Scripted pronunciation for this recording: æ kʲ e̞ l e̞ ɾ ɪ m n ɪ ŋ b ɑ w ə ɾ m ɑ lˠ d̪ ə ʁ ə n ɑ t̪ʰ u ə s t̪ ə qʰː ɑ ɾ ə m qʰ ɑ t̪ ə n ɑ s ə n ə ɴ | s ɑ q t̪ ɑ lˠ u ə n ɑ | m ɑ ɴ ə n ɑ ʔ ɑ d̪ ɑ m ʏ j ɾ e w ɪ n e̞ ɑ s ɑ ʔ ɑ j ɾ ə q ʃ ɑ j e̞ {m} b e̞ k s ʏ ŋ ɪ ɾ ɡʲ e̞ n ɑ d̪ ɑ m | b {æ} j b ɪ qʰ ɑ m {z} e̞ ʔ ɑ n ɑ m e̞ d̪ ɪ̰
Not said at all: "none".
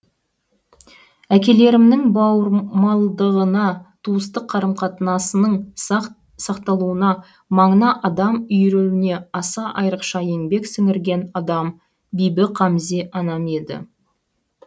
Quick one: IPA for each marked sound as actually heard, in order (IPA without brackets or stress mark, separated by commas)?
ŋ, i, z